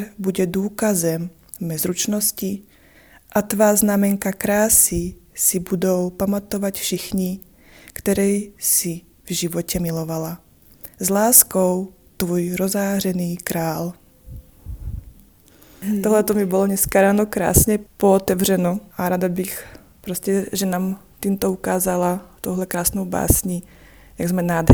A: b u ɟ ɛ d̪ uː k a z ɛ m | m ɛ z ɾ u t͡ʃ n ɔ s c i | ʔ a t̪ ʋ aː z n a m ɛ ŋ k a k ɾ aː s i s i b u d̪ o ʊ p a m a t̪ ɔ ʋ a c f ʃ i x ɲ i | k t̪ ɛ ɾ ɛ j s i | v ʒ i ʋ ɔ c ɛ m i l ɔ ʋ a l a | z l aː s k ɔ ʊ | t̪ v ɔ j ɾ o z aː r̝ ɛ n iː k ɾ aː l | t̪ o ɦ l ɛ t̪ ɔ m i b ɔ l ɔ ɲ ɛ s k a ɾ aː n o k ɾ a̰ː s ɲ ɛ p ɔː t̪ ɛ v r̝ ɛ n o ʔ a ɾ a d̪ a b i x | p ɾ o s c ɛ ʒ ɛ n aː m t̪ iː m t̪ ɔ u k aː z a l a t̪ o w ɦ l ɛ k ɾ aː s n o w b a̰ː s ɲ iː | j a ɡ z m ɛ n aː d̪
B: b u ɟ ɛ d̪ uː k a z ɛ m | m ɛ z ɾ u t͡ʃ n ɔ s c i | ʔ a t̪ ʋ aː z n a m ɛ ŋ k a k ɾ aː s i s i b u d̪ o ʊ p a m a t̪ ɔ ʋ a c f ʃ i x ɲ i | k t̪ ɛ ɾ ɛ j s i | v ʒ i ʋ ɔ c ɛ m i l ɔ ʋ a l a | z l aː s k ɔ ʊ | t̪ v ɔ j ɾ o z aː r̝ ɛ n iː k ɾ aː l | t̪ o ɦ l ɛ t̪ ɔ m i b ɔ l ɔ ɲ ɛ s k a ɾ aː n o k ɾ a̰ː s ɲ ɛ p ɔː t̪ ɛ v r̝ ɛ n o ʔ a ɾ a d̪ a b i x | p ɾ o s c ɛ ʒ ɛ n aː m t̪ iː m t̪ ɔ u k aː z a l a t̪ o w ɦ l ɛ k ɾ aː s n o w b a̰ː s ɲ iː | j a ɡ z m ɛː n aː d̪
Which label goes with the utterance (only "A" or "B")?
A